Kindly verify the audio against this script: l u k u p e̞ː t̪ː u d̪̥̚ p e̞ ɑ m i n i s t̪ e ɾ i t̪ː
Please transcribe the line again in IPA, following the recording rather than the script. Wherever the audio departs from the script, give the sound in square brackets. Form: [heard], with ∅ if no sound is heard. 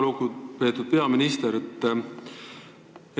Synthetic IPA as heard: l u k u p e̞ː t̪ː u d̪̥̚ p e̞ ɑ m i n i s t̪ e ɾ [e] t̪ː